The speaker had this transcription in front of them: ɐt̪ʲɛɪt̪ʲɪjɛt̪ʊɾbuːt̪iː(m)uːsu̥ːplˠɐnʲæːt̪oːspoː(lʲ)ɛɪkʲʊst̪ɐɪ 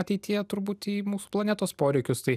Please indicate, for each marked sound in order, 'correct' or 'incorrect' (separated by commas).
correct, incorrect